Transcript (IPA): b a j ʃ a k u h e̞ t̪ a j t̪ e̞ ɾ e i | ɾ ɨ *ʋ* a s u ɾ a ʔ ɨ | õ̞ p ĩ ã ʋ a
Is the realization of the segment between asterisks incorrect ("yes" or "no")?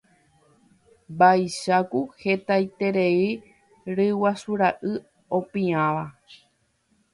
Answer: yes